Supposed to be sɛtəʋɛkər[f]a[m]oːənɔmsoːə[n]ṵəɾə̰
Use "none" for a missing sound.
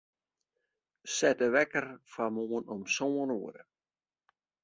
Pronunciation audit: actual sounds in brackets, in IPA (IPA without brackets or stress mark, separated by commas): f, m, n